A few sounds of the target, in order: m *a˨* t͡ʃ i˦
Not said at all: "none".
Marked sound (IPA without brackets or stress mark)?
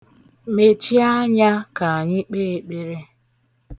e˨